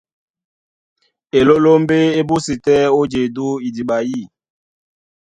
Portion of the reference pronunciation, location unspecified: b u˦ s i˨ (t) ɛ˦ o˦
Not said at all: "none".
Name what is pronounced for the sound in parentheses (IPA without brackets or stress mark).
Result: t